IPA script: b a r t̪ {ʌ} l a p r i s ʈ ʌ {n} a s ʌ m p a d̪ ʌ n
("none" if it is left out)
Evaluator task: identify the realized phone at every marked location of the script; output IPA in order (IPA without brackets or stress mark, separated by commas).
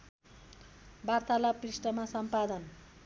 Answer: a, m